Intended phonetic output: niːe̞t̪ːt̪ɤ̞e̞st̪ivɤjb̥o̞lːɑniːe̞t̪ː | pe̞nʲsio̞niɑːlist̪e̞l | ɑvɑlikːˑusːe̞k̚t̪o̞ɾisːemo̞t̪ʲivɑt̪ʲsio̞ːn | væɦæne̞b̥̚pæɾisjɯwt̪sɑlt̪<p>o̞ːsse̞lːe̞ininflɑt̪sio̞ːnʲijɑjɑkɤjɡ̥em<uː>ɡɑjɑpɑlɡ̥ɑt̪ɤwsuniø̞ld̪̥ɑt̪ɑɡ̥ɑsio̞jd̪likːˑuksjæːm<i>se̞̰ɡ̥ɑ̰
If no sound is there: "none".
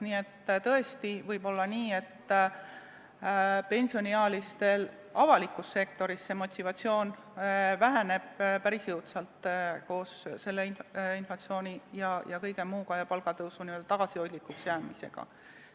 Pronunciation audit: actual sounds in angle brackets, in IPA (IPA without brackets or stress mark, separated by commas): k, uː, i